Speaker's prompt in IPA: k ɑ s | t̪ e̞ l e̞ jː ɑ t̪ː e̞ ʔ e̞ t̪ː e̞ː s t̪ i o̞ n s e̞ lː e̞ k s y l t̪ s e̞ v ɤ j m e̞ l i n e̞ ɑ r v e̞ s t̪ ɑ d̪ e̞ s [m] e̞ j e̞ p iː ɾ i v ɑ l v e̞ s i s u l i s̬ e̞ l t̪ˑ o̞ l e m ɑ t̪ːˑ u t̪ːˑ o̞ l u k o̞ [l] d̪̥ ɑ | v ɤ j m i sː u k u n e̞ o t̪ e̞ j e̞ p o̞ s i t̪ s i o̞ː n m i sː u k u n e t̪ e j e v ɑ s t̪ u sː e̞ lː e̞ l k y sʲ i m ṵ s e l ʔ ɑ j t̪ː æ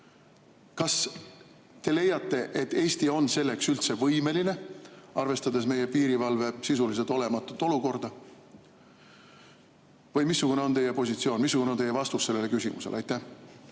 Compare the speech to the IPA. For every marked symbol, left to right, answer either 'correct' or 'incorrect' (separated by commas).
correct, incorrect